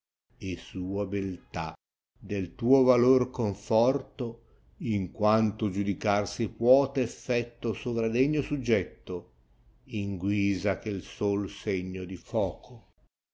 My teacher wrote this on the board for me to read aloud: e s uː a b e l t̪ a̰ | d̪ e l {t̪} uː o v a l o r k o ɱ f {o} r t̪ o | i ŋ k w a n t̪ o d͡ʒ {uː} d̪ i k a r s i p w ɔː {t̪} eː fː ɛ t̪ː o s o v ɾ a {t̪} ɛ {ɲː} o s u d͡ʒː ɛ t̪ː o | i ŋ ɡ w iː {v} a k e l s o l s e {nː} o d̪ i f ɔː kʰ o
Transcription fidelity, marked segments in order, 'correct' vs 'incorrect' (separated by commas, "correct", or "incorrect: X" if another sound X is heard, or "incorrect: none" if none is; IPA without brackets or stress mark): correct, incorrect: ɔ, incorrect: u, correct, incorrect: d̪, correct, incorrect: z, incorrect: ɲː